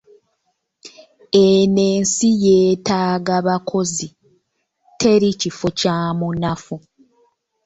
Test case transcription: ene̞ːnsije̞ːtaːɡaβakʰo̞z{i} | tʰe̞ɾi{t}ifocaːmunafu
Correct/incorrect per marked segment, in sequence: correct, incorrect: c

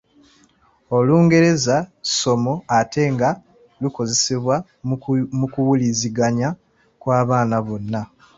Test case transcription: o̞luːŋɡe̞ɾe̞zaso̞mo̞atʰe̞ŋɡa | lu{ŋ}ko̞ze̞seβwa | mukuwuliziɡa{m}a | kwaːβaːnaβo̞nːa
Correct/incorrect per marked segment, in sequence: incorrect: none, incorrect: ɲ

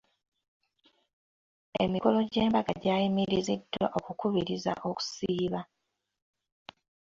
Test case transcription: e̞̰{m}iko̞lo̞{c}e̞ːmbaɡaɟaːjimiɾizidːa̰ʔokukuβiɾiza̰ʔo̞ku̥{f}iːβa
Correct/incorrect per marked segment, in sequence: correct, incorrect: ɟ, incorrect: s

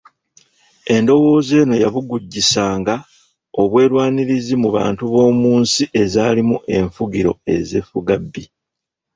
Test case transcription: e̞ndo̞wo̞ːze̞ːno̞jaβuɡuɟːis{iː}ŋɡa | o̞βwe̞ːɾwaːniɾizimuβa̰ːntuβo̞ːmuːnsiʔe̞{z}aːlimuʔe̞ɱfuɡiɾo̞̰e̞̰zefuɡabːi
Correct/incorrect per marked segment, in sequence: incorrect: aː, correct

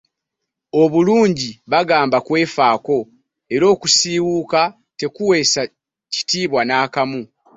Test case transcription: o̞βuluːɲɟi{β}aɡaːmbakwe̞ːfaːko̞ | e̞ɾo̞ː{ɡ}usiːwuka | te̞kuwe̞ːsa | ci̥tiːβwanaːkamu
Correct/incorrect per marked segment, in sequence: correct, incorrect: k

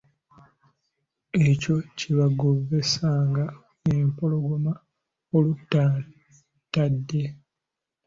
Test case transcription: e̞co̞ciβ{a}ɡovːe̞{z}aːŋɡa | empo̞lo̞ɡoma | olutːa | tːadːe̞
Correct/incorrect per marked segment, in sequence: correct, incorrect: s

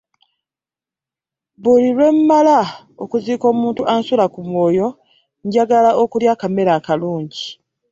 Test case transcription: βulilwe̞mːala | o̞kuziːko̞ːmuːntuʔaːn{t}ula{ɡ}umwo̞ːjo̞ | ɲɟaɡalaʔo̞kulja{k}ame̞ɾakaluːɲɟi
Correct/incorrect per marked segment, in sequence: incorrect: s, incorrect: k, correct

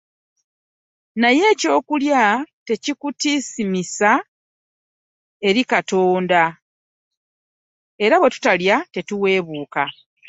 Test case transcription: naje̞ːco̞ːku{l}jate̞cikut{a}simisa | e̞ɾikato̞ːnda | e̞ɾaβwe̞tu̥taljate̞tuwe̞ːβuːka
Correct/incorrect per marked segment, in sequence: correct, incorrect: i

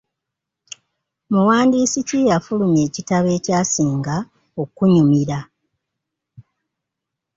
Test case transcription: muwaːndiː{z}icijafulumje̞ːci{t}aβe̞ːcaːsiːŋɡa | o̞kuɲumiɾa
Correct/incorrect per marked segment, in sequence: incorrect: s, correct

